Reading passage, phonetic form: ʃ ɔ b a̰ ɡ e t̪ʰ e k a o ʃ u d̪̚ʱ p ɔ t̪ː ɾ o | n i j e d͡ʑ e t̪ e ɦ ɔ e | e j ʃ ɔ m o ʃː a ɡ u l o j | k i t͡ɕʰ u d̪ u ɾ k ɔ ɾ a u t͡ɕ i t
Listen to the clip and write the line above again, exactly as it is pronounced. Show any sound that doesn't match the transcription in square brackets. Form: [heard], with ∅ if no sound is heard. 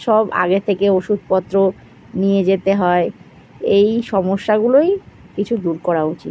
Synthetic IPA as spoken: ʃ ɔ b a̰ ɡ e t̪ʰ e k [e] o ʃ u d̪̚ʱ p ɔ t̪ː ɾ o | n i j e d͡ʑ e t̪ e ɦ ɔ e | e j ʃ ɔ m o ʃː a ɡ u l o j | k i t͡ɕʰ u d̪ u ɾ k ɔ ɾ a u t͡ɕ i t